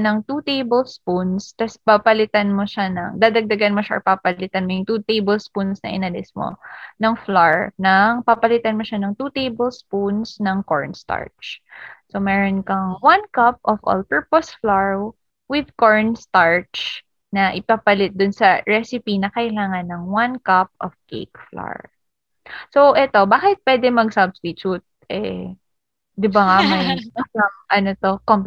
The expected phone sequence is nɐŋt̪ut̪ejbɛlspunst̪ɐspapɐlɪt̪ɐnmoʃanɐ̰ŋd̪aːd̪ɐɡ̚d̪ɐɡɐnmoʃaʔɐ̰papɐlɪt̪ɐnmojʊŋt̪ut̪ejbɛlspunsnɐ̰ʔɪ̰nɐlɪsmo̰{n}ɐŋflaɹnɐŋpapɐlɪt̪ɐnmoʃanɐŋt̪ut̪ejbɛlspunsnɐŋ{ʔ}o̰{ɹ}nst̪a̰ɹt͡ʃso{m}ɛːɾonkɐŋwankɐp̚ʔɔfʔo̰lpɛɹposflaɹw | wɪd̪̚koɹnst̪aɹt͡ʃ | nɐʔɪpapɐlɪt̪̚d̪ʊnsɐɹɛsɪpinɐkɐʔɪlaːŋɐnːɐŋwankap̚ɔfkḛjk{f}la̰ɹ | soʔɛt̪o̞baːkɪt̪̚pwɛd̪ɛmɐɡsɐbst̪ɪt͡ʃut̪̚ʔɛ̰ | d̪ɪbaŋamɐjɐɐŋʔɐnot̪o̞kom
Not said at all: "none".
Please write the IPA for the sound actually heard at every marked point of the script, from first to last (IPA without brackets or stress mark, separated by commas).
n, k, ɹ, m, f